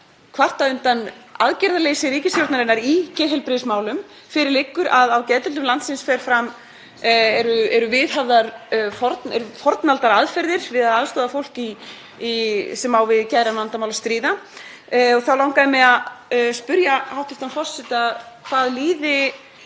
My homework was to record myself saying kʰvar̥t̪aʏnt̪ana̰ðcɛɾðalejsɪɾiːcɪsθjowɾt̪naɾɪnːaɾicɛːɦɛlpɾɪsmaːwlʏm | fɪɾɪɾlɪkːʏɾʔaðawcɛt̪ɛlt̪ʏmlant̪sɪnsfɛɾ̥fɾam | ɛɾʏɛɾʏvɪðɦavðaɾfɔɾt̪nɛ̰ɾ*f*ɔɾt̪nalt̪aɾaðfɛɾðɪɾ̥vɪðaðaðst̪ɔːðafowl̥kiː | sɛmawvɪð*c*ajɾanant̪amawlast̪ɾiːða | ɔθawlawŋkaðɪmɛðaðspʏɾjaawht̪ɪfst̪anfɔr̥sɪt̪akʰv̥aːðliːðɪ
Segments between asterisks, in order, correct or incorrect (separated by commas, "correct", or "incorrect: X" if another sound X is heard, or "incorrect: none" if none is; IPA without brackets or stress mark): correct, correct